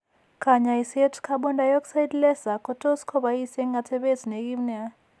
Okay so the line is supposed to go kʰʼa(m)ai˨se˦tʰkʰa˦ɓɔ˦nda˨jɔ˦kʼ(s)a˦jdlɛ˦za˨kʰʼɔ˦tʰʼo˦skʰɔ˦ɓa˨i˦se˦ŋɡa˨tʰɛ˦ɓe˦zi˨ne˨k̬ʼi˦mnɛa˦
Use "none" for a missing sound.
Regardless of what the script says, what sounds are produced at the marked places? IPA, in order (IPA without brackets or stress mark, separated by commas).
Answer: ɲ, s